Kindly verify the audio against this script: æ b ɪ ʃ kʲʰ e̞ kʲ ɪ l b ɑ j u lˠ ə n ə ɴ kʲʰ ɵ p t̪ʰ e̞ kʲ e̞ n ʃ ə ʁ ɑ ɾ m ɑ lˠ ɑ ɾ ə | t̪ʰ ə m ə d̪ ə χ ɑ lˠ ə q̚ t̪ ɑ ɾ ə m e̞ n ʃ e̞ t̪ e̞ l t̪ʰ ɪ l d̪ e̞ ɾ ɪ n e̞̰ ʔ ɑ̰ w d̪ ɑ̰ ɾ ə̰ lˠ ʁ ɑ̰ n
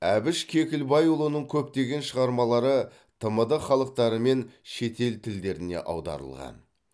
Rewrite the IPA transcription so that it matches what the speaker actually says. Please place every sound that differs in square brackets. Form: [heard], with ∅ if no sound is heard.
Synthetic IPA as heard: æ b ɪ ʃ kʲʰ e̞ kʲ ɪ l b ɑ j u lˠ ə n ə ɴ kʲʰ ɵ p [t̪] e̞ [ɡʲ] e̞ n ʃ ə ʁ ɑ ɾ m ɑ lˠ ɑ ɾ ə | t̪ʰ ə m ə d̪ ə χ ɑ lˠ ə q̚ t̪ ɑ ɾ ə m e̞ n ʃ e̞ t̪ e̞ l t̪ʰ ɪ l d̪ e̞ ɾ ɪ n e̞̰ ʔ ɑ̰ w d̪ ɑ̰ ɾ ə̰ lˠ ʁ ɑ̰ n